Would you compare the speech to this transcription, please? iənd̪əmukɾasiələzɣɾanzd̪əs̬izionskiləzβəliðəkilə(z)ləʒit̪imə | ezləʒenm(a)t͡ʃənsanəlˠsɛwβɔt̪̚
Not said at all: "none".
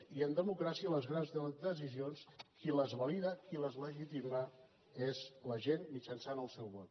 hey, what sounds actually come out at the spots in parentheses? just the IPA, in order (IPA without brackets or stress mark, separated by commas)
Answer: z, i